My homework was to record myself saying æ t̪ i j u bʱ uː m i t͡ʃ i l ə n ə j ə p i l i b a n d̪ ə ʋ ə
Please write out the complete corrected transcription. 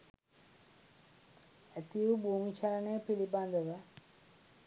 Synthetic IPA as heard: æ t̪ i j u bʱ uː m i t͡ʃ a l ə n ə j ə p i l i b a n d̪ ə ʋ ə